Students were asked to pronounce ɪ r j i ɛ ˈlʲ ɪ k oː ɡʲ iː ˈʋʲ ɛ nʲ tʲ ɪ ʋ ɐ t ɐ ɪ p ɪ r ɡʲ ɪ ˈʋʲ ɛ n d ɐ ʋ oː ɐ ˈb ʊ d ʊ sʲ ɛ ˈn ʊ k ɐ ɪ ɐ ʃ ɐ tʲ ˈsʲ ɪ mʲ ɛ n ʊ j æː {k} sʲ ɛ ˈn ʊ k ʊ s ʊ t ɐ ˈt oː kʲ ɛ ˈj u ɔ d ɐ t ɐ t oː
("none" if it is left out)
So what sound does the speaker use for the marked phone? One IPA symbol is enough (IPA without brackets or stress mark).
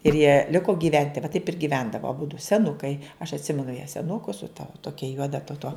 none